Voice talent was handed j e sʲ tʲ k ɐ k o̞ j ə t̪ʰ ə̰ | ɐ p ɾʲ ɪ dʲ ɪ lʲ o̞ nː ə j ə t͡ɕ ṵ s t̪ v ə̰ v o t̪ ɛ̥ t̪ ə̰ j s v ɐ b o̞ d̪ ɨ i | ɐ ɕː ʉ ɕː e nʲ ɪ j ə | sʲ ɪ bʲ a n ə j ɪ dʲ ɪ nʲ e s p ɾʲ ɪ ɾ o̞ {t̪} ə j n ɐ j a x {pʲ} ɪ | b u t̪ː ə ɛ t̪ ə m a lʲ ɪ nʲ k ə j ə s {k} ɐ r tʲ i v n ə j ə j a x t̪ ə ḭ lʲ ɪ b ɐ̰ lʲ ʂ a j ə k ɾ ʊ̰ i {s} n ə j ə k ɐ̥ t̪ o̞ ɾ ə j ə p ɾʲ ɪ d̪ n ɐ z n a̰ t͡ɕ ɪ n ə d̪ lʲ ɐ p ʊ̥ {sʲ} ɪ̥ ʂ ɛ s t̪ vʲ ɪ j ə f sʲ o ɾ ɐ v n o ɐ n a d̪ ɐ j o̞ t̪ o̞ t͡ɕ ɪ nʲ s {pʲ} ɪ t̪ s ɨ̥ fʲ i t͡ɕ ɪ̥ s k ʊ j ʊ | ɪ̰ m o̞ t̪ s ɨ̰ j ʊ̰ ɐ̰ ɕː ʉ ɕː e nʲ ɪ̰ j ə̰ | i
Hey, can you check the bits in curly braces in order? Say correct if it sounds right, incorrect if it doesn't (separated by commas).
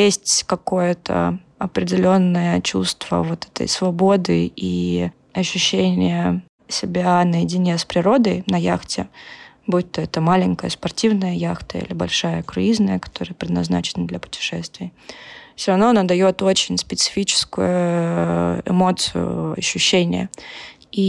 incorrect, incorrect, incorrect, incorrect, incorrect, correct